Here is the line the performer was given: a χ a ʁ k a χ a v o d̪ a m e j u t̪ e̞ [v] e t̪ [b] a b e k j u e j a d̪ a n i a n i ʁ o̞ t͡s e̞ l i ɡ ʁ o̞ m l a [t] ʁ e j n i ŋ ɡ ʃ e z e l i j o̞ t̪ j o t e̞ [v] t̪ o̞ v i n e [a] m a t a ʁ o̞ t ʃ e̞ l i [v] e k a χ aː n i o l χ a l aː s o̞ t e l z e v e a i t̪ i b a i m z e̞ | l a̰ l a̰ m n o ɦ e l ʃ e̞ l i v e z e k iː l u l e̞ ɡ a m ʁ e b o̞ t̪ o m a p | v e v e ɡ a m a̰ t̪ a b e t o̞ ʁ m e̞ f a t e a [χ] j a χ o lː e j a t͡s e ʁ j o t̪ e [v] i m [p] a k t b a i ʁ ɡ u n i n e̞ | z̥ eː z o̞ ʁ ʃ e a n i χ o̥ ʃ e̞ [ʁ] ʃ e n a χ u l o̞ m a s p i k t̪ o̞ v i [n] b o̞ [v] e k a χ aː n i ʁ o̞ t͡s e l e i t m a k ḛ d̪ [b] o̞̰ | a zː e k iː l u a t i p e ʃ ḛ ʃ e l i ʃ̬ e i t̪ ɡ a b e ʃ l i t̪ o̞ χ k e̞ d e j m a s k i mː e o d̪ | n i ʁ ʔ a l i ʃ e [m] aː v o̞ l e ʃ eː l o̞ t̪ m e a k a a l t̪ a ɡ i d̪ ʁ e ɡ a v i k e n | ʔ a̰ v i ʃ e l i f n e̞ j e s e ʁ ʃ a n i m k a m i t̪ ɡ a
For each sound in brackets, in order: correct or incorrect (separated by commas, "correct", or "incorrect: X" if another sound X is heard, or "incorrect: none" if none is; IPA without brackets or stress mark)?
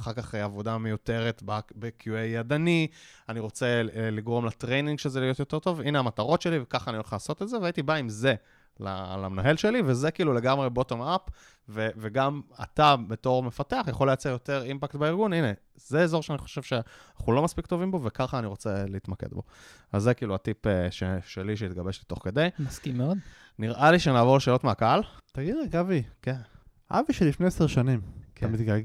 incorrect: ʁ, correct, correct, incorrect: ʁ, correct, correct, correct, incorrect: ʁ, correct, incorrect: v, incorrect: m, correct, correct, incorrect: n